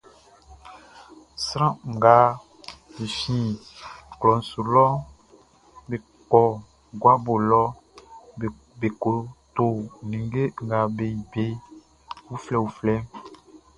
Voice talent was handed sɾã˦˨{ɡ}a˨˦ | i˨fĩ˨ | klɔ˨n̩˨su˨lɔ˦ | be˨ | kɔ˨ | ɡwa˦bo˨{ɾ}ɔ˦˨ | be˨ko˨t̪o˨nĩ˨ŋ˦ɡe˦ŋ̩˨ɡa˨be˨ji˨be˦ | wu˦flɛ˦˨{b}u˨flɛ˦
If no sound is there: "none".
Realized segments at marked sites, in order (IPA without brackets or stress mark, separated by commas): ɡ, l, w